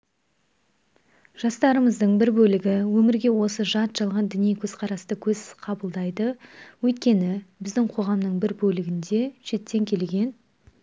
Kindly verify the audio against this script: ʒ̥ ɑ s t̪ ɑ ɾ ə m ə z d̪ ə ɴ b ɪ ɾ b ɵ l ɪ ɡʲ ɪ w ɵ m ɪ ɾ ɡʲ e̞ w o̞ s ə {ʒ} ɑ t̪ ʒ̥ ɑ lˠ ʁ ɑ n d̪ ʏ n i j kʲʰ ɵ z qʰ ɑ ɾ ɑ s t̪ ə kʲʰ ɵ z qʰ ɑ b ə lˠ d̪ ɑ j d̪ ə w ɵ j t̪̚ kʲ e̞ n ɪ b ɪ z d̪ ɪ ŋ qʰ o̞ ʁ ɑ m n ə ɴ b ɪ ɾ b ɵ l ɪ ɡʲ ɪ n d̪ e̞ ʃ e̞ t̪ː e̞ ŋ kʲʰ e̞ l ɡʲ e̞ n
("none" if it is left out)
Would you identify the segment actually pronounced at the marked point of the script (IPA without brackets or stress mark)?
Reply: ʒ